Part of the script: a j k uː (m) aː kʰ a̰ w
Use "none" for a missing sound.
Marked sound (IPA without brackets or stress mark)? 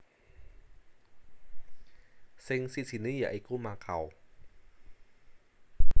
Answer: m